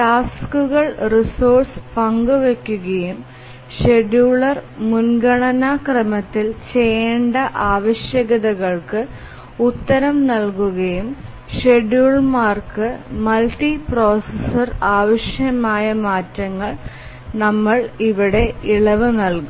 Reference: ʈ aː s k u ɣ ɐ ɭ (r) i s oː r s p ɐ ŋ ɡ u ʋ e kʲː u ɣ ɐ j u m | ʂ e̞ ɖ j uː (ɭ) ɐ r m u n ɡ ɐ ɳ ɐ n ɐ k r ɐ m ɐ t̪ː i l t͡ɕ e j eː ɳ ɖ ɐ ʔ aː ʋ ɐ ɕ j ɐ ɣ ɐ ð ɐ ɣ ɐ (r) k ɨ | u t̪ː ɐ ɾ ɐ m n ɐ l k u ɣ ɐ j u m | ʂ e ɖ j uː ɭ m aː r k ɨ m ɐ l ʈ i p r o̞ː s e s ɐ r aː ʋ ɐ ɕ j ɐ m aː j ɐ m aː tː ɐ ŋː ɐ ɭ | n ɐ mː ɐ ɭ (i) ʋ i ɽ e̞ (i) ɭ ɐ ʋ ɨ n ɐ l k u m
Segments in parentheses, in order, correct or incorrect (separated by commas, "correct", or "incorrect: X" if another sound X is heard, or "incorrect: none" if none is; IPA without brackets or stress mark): correct, correct, incorrect: ɭ, correct, correct